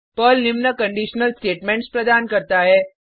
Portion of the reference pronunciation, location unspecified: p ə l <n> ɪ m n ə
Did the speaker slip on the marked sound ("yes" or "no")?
no